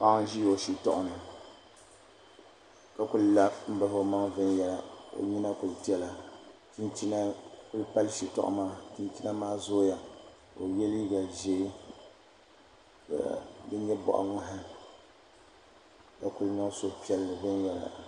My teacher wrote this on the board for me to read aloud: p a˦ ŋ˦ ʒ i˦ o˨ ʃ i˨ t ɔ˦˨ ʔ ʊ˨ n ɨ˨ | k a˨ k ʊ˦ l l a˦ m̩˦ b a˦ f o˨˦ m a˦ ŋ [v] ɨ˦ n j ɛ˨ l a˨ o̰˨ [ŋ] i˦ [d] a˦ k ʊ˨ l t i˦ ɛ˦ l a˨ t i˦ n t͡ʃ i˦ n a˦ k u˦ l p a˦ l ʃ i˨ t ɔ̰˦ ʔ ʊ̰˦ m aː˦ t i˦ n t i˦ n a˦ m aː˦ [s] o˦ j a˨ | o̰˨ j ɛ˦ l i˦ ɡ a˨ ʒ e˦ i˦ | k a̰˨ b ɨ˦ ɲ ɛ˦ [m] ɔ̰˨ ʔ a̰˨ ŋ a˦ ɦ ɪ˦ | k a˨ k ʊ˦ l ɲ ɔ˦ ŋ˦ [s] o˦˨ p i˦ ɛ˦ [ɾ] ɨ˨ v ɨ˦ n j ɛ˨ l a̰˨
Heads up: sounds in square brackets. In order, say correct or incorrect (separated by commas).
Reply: correct, incorrect, incorrect, incorrect, incorrect, correct, incorrect